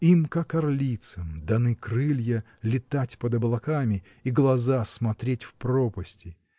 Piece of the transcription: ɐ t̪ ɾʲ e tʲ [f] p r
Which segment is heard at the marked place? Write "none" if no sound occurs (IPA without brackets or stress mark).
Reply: f